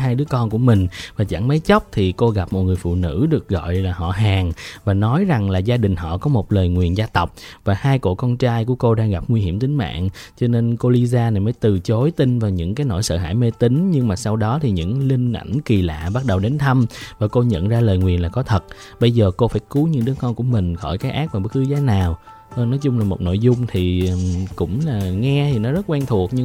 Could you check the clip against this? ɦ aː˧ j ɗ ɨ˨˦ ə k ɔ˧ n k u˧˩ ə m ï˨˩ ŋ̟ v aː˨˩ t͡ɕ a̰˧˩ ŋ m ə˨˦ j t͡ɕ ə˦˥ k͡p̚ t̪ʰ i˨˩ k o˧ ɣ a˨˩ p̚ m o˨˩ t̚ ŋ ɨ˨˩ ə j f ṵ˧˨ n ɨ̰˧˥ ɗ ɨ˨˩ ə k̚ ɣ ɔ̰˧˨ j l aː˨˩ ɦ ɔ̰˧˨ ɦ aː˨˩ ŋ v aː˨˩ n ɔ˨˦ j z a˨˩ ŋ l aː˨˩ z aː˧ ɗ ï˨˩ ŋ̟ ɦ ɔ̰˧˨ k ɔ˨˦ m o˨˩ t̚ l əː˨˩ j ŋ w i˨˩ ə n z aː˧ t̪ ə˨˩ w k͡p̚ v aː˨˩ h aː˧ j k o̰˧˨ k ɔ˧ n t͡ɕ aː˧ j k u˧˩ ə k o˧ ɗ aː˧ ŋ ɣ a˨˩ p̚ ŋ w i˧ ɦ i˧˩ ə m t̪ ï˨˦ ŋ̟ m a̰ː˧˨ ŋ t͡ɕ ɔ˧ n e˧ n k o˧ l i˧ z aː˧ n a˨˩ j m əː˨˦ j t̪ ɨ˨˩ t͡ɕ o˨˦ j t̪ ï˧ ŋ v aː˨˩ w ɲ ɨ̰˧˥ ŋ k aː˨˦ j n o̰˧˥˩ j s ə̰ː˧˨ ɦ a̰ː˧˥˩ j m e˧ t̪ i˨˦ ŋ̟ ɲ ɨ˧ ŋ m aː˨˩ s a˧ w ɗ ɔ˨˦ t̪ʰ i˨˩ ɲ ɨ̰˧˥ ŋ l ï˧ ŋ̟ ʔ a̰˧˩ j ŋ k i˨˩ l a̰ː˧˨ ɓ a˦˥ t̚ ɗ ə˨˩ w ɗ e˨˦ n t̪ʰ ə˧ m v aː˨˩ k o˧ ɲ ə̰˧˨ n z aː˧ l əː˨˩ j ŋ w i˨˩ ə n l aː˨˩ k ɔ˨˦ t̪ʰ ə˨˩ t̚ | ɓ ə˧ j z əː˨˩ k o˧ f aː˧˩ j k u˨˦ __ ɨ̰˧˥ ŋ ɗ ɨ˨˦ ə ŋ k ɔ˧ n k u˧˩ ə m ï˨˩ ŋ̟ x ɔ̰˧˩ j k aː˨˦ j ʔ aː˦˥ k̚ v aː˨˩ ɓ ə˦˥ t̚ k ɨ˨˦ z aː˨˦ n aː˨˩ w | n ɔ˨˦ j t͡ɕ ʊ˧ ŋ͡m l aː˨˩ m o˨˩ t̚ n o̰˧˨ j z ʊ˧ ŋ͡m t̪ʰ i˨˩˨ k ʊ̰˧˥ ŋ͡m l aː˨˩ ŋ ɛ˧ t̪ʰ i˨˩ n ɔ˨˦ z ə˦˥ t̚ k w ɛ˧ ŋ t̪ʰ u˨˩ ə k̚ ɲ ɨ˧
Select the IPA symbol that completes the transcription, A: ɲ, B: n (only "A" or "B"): A